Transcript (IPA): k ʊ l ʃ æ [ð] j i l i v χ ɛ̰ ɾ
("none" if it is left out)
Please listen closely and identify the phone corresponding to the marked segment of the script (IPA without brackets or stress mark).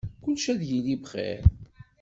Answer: ð